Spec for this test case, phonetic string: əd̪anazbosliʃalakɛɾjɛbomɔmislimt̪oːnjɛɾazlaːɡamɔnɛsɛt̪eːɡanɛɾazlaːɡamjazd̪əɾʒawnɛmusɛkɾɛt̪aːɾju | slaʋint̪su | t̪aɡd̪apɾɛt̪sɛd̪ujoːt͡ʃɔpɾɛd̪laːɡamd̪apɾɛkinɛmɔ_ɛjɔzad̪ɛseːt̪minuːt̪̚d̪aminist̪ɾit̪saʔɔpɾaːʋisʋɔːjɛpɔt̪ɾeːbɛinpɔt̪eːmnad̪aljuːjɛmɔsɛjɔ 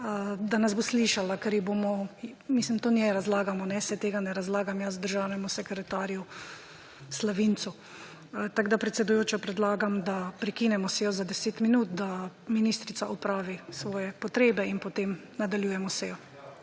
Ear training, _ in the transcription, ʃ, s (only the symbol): s